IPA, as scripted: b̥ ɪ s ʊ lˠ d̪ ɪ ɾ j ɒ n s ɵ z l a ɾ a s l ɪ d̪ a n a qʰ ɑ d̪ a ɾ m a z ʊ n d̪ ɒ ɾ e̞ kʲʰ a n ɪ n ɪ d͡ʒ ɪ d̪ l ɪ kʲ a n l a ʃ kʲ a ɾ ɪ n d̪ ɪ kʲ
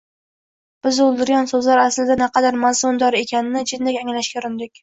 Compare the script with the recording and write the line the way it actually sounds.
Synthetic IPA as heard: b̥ ɪ z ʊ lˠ d̪ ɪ ɾ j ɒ n s ɵ z l a ɾ a s l ɪ d̪ a n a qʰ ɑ d̪ a ɾ m a z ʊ n d̪ ɒ ɾ e̞ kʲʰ a n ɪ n ɪ d͡ʒ ɪ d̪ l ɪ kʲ a ŋ l a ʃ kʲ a ɾ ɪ n d̪ ɪ kʲ